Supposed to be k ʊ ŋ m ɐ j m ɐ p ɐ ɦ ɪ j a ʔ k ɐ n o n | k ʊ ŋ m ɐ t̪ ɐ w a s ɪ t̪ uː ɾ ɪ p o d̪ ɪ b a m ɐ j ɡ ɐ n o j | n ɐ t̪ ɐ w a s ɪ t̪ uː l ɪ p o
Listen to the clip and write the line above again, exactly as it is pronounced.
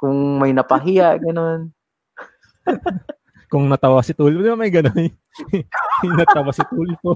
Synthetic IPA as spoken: k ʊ ŋ m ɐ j n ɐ p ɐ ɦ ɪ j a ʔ ɡ ɐ n o n | k ʊ ŋ n ɐ t̪ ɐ w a s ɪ t̪ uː l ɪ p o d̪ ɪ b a m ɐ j ɡ ɐ n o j | n ɐ t̪ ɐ w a s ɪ t̪ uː l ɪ p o